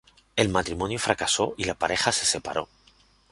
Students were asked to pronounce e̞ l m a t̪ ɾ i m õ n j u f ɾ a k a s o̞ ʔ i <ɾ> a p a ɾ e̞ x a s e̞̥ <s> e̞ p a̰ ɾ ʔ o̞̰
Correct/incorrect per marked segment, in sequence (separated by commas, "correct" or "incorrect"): incorrect, correct